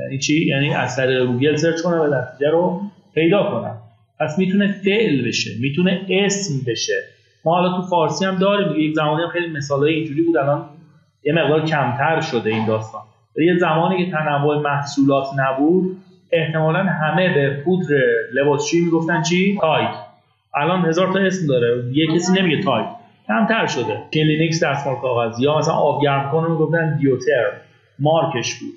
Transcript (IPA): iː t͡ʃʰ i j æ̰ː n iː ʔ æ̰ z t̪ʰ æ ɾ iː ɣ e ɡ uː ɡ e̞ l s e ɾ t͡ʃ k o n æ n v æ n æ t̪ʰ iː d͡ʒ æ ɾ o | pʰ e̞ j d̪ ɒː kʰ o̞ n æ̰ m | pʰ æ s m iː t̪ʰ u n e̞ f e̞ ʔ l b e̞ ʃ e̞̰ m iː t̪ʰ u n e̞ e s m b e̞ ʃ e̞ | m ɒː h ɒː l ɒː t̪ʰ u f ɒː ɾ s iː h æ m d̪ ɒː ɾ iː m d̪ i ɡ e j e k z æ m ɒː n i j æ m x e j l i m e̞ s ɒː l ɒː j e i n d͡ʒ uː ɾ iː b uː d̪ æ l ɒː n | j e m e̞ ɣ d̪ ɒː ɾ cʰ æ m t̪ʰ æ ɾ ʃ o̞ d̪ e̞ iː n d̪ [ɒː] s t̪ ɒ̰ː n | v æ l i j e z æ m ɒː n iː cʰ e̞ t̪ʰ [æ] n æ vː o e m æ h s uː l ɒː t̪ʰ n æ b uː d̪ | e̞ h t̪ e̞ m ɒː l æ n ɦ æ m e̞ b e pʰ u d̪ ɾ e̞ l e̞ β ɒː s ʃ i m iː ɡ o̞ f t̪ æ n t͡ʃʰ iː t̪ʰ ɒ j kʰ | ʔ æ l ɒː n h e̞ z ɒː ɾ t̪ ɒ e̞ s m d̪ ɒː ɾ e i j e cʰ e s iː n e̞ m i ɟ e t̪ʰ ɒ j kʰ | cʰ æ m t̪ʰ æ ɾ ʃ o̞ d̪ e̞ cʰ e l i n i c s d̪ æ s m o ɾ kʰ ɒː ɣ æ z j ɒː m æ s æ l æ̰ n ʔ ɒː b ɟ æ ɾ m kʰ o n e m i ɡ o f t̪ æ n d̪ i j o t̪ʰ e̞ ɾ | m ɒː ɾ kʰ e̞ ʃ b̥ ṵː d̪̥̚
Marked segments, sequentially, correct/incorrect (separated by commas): correct, correct